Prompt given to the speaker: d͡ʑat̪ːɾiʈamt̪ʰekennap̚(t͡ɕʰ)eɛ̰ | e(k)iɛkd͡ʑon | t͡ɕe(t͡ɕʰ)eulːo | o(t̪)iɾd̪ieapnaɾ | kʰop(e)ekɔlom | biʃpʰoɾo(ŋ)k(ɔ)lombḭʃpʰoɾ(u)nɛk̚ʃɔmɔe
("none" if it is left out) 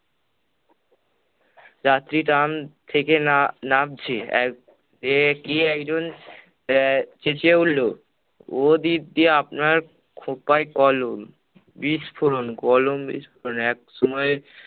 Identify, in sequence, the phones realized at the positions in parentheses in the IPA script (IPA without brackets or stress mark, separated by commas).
t͡ɕʰ, k, t͡ɕ, d̪, a, n, ɔ, o